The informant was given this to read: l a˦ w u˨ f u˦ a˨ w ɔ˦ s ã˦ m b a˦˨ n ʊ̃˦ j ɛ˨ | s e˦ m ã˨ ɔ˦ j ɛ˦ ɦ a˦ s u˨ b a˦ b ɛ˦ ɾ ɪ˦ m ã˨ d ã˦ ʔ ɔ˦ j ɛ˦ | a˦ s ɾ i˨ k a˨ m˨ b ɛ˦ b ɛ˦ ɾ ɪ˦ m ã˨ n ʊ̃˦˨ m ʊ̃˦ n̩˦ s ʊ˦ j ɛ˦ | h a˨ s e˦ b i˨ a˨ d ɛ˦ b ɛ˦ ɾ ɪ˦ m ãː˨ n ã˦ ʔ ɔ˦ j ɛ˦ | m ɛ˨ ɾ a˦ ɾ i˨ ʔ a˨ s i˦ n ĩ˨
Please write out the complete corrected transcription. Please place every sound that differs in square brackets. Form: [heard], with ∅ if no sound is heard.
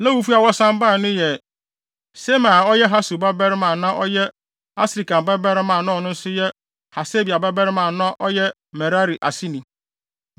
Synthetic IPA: l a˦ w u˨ f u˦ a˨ w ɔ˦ s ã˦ m b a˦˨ n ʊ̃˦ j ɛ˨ | s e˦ m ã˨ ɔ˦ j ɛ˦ ɦ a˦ s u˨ b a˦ b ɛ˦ ɾ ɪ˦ m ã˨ [n] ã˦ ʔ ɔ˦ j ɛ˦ | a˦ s ɾ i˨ k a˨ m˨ b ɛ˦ b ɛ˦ ɾ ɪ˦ m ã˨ n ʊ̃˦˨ [n] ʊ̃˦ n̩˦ s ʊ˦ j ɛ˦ | h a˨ s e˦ b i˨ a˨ [b] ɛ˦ b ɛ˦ ɾ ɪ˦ m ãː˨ n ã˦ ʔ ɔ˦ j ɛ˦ | m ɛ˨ ɾ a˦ ɾ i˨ ʔ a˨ s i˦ n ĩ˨